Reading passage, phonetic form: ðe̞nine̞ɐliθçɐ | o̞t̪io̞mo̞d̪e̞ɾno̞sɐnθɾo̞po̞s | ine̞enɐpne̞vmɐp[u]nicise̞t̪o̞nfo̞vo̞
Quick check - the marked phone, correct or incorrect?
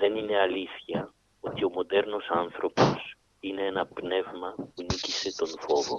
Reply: correct